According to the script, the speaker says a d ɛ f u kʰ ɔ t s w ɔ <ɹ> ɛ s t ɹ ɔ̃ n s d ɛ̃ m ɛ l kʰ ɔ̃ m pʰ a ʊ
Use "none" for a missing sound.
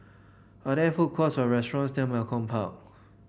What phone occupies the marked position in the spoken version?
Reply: ɹ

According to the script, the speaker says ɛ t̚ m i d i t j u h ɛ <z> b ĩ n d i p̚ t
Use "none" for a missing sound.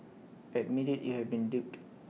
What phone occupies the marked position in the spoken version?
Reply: v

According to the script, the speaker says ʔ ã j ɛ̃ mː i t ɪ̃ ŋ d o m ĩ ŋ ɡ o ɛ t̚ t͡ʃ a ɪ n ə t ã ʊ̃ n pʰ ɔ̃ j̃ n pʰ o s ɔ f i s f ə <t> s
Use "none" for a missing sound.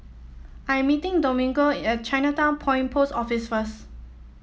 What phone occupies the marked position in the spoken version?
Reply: none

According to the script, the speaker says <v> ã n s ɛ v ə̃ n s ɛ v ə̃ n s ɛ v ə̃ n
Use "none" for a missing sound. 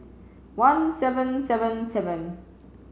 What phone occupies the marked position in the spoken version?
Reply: w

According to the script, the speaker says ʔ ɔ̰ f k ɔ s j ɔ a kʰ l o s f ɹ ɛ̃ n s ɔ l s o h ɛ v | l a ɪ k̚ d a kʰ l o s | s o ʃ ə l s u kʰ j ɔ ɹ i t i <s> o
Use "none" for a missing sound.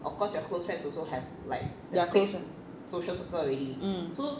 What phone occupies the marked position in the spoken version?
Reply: s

